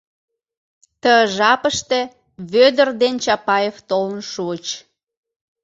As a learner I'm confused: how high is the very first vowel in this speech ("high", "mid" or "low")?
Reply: mid